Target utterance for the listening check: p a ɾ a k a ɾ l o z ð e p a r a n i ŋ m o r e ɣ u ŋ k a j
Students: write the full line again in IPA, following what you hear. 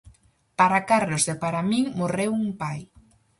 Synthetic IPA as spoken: p a ɾ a k a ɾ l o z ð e p a ɾ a m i ŋ m o r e w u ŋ p a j